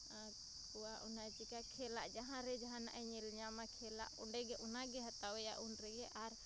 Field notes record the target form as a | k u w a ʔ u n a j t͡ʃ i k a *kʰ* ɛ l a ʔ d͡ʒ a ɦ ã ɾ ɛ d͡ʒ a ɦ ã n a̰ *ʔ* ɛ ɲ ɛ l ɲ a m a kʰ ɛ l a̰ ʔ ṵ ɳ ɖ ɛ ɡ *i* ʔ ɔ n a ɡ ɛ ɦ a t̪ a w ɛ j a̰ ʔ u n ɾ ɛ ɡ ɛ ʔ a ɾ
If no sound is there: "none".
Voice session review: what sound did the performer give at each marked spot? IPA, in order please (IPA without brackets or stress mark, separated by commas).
kʰ, ʔ, ɛ